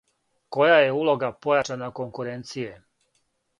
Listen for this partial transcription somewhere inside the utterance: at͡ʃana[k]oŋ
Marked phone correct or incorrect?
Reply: correct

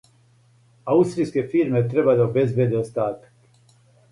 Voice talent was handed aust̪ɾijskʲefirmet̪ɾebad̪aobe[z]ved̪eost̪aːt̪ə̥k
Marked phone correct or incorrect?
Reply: correct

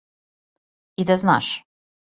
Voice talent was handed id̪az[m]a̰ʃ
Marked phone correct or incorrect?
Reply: incorrect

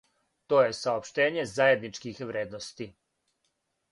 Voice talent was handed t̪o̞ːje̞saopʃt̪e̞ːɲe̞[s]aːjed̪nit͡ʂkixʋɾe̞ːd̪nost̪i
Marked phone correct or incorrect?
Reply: incorrect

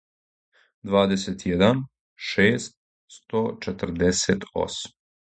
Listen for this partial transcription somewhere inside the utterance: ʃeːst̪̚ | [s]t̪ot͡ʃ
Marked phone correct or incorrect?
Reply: correct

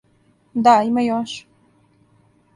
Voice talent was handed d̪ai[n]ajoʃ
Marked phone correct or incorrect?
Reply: incorrect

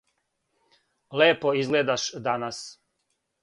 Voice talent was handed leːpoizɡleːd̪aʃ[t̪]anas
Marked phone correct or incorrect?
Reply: incorrect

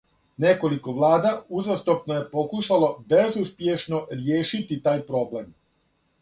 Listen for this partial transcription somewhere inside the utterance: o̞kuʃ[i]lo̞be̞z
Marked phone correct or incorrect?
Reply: incorrect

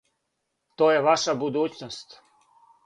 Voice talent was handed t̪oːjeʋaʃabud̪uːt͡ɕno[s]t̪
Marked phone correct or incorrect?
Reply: correct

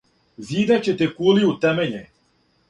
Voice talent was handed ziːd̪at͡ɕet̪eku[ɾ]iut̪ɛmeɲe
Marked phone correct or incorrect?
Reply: incorrect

